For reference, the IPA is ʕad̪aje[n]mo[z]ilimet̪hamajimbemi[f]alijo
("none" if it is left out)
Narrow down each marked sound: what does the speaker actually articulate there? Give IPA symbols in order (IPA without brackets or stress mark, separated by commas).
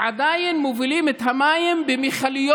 n, v, χ